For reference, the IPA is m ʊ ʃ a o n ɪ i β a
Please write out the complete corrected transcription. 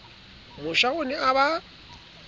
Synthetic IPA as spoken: m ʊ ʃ a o n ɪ a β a